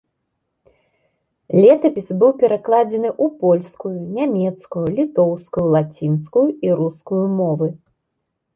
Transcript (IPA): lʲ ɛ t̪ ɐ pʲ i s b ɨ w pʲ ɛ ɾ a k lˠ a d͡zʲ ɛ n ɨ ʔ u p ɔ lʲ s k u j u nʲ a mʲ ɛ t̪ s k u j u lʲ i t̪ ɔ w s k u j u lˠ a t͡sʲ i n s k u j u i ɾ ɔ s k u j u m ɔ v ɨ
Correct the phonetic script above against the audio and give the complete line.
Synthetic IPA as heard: lʲ ɛ t̪ ɐ pʲ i s b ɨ w pʲ ɛ ɾ a k lˠ a d͡zʲ ɛ n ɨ ʔ u p ɔ lʲ s k u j u nʲ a mʲ ɛ t̪ s k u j u lʲ i t̪ ɔ w s k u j u lˠ a t͡sʲ i n s k u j u i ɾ u s k u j u m ɔ v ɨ

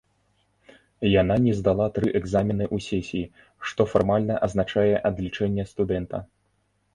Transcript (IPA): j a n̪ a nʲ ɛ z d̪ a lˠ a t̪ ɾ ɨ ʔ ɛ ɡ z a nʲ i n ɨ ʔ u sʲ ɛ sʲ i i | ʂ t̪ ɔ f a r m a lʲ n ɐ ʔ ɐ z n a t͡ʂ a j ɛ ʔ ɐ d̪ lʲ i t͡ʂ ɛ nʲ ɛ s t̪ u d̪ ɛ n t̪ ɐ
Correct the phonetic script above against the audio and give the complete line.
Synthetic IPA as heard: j a n̪ a nʲ ɛ z d̪ a lˠ a t̪ ɾ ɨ ʔ ɛ ɡ z a mʲ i n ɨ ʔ u sʲ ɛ sʲ i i | ʂ t̪ ɔ f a r m a lʲ n ɐ ʔ ɐ z n a t͡ʂ a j ɛ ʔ ɐ d̪ lʲ i t͡ʂ ɛ nʲː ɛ s t̪ u d̪ ɛ n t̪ ɐ

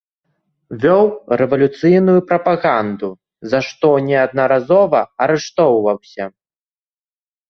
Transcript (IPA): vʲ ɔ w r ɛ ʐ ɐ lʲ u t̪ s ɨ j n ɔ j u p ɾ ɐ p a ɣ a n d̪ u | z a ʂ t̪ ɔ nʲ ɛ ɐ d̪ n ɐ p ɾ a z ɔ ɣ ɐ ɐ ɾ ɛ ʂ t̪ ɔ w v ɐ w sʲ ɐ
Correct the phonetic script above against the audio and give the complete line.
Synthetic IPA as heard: vʲ ɔ w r ɛ v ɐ lʲ u t̪ s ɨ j n u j u p ɾ ɐ p a ɣ a n d̪ u | z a ʂ t̪ ɔ nʲ ɛ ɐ d̪ n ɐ ɾ a z ɔ v ɐ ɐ ɾ ɛ ʂ t̪ ɔ w v ɐ w sʲ ɐ

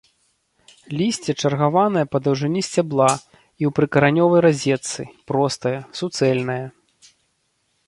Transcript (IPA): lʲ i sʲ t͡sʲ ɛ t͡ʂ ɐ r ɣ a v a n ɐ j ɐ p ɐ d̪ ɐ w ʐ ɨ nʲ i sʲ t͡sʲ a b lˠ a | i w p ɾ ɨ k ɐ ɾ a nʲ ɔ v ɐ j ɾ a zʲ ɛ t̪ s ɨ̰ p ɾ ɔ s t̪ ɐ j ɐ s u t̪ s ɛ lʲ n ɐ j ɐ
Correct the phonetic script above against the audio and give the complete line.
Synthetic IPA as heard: lʲ i sʲ t͡sʲ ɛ t͡ʂ ɐ r ɣ a v a n ɐ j ɐ p ɐ d̪ ɐ w ʐ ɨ nʲ i sʲ t͡sʲ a b lˠ a | i w p ɾ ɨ k ɐ ɾ a nʲ ɔ v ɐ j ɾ a zʲ ɛ t̪ s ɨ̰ p ɾ ɔ s t̪ ɐ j ɐ s u t̪ s ɛ lʲ n ɐ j ɐ

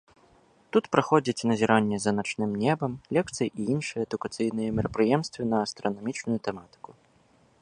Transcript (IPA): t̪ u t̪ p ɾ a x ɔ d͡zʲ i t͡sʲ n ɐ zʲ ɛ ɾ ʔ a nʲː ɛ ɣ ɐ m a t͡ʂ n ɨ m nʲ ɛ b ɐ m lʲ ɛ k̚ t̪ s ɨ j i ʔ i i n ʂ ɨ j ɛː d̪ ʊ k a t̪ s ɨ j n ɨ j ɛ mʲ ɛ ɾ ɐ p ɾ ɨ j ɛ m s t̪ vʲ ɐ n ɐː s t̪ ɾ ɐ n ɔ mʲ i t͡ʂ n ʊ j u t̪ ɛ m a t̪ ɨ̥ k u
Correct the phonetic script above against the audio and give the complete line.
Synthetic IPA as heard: t̪ u t̪ p ɾ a x ɔ d͡zʲ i t͡sʲ n ɐ zʲ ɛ ɾ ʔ a nʲː ɛ z ɐ n a t͡ʂ n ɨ m nʲ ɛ b ɐ m lʲ ɛ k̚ t̪ s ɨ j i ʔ i i n ʂ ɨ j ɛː d̪ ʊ k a t̪ s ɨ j n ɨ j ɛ mʲ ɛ ɾ ɐ p ɾ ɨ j ɛ m s t̪ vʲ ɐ n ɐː s t̪ ɾ ɐ n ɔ mʲ i t͡ʂ n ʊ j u t̪ ɛ m a t̪ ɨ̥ k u

